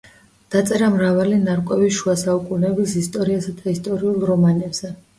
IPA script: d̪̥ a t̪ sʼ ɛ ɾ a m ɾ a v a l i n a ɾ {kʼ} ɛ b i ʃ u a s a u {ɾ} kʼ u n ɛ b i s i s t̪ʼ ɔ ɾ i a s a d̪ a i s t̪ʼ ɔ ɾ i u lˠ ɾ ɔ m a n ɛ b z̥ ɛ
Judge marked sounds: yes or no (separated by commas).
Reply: yes, no